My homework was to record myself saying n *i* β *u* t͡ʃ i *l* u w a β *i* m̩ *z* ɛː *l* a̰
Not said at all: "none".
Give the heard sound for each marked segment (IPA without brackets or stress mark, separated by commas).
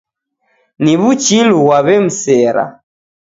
i, u, l, ɛ, s, ɾ